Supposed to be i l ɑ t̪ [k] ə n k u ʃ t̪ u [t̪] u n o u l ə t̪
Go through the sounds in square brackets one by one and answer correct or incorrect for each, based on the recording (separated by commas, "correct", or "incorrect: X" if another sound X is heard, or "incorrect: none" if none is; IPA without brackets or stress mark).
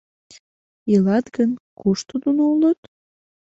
incorrect: ɡ, incorrect: d̪